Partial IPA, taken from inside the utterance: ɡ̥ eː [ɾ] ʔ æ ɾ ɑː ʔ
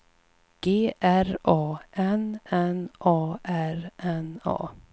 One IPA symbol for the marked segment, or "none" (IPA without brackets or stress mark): none